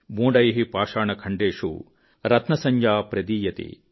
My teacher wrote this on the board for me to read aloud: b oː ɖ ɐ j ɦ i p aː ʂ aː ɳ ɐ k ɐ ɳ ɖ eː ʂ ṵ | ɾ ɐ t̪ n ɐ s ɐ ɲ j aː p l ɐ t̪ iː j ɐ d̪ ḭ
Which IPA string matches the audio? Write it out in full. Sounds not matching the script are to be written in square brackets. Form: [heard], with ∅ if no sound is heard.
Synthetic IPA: b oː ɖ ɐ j ɦ i p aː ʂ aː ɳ ɐ [kʰ] ɐ ɳ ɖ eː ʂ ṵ | ɾ ɐ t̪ n ɐ s ɐ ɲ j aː p [ɾ] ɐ [d̪] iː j ɐ [t̪] ḭ